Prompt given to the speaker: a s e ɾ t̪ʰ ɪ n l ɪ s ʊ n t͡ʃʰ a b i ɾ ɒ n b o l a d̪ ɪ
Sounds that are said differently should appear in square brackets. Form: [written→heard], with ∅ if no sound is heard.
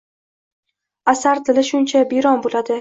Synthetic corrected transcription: a s [e→a] ɾ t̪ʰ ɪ [n→∅] l ɪ [s→ʃ] ʊ n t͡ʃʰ a b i ɾ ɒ n b o l a d̪ ɪ